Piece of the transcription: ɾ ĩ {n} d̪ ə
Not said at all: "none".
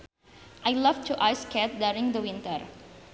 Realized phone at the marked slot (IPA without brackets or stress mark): ŋ